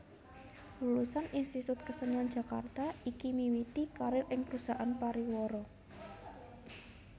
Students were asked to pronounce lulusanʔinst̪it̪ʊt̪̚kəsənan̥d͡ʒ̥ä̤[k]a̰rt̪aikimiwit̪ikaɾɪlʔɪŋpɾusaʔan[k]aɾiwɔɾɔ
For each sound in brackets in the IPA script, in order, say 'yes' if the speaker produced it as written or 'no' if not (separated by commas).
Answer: yes, no